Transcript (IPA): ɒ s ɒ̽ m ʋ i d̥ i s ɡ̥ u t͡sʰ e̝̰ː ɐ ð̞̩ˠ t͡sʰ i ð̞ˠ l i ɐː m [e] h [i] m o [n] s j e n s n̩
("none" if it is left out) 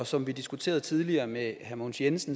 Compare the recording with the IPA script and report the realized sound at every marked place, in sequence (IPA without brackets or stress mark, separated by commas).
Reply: e, æ, n